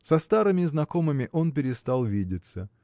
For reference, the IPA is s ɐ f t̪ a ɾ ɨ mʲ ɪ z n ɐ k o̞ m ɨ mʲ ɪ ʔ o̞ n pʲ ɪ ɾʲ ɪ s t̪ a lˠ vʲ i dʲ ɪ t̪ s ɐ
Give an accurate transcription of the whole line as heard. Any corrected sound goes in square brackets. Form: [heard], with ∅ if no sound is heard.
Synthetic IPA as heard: s ɐ [s] t̪ a ɾ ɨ mʲ ɪ z n ɐ k o̞ m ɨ mʲ ɪ ʔ o̞ n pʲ ɪ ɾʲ ɪ s t̪ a lˠ vʲ i dʲ ɪ t̪ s [ə]